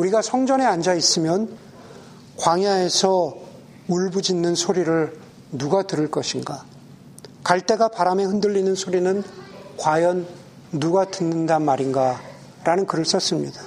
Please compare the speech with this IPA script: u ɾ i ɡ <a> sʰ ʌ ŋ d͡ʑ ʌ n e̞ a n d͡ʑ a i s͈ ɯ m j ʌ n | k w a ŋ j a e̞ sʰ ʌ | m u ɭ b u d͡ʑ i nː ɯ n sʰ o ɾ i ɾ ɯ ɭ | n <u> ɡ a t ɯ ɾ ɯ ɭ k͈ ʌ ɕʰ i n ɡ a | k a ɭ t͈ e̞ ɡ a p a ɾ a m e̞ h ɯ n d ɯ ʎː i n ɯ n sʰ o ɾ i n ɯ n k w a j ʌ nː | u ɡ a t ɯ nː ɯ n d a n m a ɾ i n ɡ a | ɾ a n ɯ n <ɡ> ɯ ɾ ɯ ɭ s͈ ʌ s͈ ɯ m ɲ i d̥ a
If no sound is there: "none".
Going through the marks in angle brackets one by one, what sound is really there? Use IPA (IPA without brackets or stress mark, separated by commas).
a, u, k